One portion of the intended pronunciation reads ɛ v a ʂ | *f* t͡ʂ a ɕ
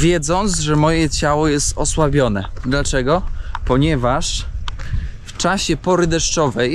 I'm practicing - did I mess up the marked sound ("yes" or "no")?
no